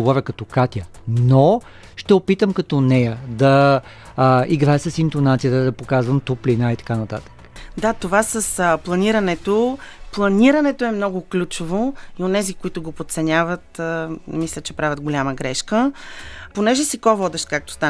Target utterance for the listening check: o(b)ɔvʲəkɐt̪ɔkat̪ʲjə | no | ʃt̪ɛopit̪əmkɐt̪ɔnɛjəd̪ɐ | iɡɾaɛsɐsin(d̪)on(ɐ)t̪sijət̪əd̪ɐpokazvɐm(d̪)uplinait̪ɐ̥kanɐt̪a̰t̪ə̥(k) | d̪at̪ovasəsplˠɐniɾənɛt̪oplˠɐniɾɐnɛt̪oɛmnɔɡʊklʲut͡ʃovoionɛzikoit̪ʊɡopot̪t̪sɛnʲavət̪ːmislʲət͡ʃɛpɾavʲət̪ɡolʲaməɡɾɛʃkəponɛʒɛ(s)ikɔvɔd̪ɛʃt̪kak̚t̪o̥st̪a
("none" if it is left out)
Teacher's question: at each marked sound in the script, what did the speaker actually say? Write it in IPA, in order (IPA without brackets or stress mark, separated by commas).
v, t̪, a, t̪, k, s